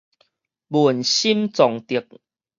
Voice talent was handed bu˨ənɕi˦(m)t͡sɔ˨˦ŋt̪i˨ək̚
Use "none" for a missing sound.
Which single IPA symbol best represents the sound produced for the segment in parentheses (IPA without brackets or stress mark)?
m